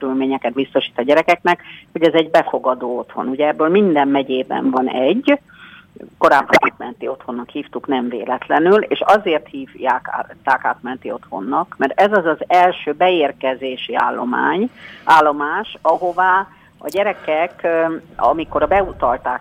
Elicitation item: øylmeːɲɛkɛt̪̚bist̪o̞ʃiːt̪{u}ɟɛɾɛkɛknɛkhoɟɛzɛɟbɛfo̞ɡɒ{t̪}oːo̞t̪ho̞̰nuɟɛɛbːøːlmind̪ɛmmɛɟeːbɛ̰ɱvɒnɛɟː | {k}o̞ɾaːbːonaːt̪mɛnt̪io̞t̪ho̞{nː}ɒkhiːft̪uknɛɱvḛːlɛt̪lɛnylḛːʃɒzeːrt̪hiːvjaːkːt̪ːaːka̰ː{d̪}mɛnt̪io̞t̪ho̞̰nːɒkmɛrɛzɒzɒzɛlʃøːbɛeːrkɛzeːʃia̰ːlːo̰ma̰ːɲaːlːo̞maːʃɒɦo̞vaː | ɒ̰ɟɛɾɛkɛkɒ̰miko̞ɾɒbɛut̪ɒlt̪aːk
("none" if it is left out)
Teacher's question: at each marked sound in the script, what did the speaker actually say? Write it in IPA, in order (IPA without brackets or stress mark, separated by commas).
ɒ, d̪, k, nː, t̪